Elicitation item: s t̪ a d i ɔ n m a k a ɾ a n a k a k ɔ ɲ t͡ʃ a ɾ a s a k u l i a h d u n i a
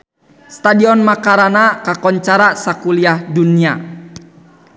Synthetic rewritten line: s t̪ a d i ɔ n m a k a ɾ a n a k a k ɔ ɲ t͡ʃ a ɾ a s a k u l i a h d u n i a